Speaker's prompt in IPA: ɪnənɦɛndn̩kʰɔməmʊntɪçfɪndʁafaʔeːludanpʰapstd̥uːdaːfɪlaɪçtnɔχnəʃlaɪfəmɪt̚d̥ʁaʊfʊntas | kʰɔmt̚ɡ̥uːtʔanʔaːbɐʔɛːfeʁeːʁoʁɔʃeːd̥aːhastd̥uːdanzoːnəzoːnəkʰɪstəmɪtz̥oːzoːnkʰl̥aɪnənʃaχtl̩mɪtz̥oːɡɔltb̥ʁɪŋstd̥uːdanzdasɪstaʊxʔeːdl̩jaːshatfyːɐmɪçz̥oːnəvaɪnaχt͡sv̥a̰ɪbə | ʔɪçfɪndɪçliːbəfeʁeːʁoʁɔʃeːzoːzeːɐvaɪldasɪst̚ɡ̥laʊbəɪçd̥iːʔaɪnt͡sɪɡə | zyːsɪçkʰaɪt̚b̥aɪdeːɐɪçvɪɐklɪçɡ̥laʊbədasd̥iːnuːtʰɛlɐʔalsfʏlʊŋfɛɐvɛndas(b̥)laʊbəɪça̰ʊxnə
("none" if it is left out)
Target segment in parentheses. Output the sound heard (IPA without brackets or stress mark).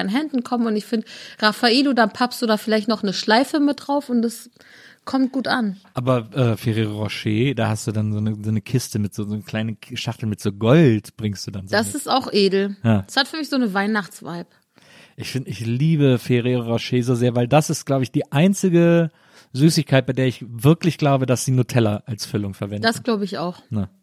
ɡ̥